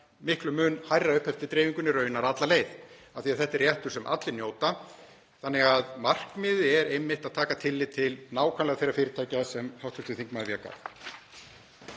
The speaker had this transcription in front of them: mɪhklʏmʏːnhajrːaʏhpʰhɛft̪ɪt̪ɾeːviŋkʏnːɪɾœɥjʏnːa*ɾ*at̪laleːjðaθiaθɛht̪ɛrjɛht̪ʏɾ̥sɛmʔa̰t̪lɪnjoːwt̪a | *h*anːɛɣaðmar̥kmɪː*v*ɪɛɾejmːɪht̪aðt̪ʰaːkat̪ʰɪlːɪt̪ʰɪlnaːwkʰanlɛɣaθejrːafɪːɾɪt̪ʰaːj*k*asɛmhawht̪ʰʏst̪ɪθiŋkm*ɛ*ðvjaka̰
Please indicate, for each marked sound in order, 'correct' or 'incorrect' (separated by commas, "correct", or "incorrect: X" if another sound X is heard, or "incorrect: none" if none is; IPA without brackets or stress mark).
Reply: correct, incorrect: θ, incorrect: ð, incorrect: c, incorrect: a